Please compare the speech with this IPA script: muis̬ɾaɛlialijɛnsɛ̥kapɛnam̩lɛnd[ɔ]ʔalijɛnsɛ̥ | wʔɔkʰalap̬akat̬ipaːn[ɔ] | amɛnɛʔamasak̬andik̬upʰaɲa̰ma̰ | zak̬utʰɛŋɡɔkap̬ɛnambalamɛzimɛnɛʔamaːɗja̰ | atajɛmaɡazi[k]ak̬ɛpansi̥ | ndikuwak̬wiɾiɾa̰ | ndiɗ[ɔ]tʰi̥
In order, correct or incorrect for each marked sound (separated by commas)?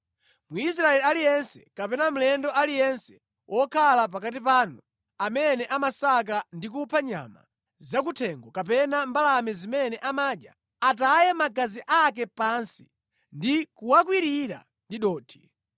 correct, incorrect, incorrect, incorrect